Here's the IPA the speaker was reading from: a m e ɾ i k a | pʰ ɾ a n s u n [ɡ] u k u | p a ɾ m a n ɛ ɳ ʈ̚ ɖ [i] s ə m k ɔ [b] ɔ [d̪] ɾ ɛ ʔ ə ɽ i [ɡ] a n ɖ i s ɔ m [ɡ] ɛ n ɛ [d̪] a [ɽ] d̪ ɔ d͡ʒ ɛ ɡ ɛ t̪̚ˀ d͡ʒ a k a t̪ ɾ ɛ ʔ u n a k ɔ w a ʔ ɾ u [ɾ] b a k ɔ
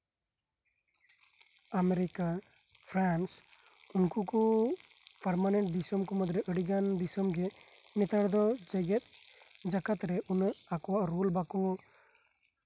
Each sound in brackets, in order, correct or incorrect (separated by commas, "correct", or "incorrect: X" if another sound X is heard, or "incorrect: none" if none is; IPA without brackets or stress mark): incorrect: k, correct, incorrect: m, correct, correct, correct, incorrect: t̪, correct, incorrect: l